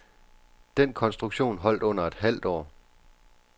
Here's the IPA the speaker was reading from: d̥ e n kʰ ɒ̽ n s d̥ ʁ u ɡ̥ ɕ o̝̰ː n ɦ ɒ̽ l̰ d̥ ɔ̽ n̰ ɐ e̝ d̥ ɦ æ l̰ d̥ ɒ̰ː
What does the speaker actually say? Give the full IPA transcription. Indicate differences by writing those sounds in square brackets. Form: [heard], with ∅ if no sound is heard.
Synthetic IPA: d̥ e n kʰ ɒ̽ n s d̥ ʁ u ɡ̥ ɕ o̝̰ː n ɦ ɒ̽ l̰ d̥ ɔ̽ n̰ ɐ e̝ d̥ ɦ æ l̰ d̥ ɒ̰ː